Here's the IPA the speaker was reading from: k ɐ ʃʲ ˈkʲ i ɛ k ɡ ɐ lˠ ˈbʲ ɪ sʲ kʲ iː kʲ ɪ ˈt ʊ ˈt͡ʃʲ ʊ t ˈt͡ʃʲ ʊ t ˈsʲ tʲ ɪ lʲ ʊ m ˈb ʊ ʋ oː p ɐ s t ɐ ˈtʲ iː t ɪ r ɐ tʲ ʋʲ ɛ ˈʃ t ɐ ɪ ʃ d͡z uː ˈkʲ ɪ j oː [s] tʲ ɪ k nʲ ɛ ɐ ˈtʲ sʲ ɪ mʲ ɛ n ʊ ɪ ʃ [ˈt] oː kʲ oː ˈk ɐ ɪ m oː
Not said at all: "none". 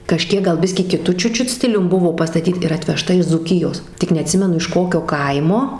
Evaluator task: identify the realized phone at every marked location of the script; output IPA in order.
s, k

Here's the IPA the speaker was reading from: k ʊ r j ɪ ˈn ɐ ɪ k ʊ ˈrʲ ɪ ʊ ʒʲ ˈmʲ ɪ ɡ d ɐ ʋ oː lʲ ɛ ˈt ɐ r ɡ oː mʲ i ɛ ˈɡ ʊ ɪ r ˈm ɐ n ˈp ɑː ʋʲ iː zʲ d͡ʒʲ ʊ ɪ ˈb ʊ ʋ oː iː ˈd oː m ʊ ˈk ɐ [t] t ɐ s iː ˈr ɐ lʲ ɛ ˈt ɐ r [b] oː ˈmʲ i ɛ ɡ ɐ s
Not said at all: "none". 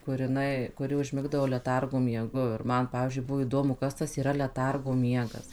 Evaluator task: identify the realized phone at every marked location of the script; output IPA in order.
s, ɡ

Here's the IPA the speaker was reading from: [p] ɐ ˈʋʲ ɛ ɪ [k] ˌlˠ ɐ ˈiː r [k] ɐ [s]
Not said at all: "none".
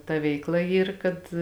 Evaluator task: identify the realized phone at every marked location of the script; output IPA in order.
t, k, k, t

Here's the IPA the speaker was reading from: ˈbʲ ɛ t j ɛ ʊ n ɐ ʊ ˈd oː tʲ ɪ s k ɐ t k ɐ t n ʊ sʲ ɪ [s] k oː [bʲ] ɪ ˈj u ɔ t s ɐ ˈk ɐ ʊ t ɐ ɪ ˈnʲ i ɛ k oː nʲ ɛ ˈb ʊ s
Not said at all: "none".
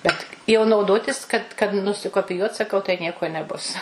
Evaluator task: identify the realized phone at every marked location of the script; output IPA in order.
none, pʲ

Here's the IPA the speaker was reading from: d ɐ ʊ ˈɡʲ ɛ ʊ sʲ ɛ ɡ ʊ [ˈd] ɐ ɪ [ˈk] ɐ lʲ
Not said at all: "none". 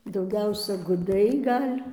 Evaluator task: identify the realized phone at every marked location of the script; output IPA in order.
d, ɡ

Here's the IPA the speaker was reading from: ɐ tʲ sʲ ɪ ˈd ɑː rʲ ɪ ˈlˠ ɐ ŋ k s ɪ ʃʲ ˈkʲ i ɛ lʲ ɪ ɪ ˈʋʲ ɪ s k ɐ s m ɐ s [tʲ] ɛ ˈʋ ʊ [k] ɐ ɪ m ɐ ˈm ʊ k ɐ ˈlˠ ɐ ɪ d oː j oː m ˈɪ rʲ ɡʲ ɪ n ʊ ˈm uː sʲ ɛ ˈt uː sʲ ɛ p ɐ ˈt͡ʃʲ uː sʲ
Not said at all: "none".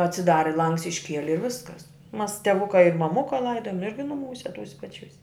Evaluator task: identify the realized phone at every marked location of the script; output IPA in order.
tʲ, k

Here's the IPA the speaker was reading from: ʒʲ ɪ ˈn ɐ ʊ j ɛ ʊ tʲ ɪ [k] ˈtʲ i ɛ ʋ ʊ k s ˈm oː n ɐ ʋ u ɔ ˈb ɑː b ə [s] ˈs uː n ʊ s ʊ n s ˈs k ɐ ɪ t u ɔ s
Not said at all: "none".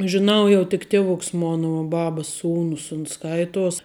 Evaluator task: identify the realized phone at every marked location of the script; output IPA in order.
k, s

